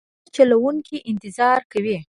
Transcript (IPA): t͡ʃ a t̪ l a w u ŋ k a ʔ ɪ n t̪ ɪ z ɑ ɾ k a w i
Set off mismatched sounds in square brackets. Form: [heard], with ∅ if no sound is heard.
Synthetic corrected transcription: t͡ʃ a [∅] l a w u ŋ k [i] ʔ ɪ n t̪ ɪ z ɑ ɾ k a w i